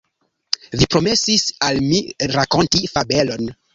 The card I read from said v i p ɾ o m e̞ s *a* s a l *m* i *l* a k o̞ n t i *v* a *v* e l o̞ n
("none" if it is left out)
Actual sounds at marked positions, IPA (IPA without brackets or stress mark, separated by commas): i, m, ɾ, f, b